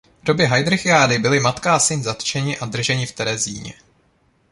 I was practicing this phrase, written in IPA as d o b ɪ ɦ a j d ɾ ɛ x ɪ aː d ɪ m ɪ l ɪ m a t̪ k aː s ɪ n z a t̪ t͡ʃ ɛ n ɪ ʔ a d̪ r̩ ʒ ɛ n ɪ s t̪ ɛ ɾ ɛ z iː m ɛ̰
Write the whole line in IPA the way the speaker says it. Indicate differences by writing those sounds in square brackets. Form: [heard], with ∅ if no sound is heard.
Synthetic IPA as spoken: d o b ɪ ɦ a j d ɾ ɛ x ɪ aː d ɪ [b] ɪ l ɪ m a t̪ k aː s ɪ n z a t̪ t͡ʃ ɛ [ɲ] ɪ ʔ a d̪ r̩ ʒ ɛ [ɲ] ɪ [f] t̪ ɛ ɾ ɛ z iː [ɲ] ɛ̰